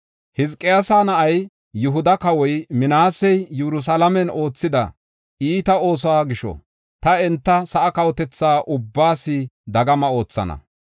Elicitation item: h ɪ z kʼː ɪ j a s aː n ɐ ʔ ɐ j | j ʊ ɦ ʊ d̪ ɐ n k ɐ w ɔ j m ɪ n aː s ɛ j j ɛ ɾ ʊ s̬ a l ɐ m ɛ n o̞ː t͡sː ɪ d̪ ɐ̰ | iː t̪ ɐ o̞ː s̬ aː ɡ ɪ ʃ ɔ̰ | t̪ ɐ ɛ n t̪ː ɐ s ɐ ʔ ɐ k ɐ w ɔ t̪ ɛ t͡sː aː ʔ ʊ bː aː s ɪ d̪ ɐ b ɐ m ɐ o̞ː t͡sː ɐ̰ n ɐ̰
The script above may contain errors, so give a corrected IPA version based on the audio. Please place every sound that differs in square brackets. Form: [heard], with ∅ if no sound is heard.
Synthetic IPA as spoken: h ɪ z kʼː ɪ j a s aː n ɐ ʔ ɐ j | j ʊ ɦ ʊ d̪ ɐ [∅] k ɐ w ɔ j m ɪ n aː s ɛ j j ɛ ɾ ʊ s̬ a l ɐ m ɛ n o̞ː t͡sː ɪ d̪ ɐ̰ | iː t̪ ɐ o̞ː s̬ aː ɡ ɪ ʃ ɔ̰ | t̪ ɐ ɛ n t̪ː ɐ s ɐ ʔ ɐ k ɐ w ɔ t̪ ɛ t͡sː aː ʔ ʊ bː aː s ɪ d̪ ɐ [ɡ] ɐ m ɐ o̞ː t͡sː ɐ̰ n ɐ̰

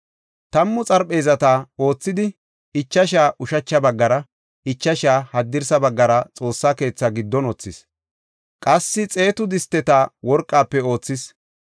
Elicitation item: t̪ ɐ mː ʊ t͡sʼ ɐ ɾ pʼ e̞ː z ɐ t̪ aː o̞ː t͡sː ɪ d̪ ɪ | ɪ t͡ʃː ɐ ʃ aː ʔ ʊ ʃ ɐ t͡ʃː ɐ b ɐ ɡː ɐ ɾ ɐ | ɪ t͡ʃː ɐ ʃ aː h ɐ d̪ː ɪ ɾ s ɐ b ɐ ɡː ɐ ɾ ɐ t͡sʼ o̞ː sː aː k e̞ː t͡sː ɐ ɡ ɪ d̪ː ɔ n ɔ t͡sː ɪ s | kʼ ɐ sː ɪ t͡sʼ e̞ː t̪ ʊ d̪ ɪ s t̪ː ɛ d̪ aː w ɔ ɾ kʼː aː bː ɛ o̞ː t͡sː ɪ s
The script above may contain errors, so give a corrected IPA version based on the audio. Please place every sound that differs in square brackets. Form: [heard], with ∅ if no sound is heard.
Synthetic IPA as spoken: t̪ ɐ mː ʊ t͡sʼ ɐ ɾ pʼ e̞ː z ɐ t̪ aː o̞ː t͡sː ɪ d̪ ɪ | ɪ t͡ʃː ɐ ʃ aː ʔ ʊ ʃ ɐ t͡ʃː ɐ b ɐ ɡː ɐ ɾ ɐ | ɪ t͡ʃː ɐ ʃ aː h ɐ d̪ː ɪ ɾ s ɐ b ɐ ɡː ɐ ɾ ɐ t͡sʼ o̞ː sː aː k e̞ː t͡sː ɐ ɡ ɪ d̪ː ɔ n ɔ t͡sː ɪ s | kʼ ɐ sː ɪ t͡sʼ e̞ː t̪ ʊ d̪ ɪ s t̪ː ɛ [t̪] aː w ɔ ɾ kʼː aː [pː] ɛ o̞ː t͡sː ɪ s

